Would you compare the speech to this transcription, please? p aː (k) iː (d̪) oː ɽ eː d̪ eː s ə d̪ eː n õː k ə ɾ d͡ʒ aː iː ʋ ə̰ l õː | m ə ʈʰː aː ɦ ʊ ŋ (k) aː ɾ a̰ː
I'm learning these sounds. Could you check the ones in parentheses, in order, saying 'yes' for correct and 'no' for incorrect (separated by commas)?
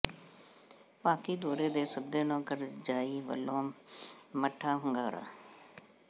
yes, yes, no